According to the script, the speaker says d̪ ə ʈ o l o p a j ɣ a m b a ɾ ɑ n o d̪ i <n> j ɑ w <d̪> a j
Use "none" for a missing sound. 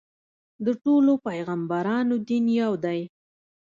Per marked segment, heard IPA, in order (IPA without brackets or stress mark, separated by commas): n, d̪